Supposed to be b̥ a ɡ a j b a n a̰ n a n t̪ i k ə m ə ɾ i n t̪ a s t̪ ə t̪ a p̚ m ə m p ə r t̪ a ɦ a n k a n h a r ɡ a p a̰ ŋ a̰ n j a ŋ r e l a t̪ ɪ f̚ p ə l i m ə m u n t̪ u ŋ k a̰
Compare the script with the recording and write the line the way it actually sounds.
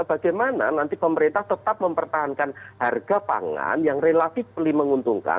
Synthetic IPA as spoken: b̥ a ɡ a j m a n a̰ n a n t̪ i p ə m ə ɾ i n t̪ a h t̪ ə t̪ a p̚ m ə m p ə r t̪ a ɦ a n k a n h a r ɡ a p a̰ ŋ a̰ n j a ŋ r e l a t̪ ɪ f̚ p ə l i m ə ŋ u n t̪ u ŋ k a̰